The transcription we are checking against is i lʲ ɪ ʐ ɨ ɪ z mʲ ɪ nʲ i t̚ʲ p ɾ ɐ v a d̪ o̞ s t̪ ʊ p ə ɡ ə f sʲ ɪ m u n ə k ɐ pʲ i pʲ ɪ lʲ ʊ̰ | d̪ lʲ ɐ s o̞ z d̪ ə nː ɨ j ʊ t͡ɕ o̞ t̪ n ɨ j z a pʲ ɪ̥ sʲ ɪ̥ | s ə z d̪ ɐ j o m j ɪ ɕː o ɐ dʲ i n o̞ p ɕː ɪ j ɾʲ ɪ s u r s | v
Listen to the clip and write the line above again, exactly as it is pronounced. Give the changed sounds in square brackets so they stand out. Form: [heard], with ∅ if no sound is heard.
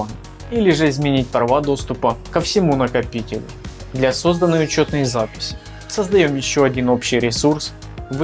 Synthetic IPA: i lʲ ɪ ʐ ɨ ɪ z mʲ ɪ nʲ i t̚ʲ p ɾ ɐ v a d̪ o̞ s t̪ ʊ p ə [k] ə f sʲ ɪ m u n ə k ɐ pʲ i [tʲ] ɪ lʲ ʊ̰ | d̪ lʲ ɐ s o̞ z d̪ ə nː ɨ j ʊ t͡ɕ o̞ t̪ n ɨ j z a pʲ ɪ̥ sʲ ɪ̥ | s ə z d̪ ɐ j o m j ɪ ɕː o ɐ dʲ i n o̞ p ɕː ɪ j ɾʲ ɪ s u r s | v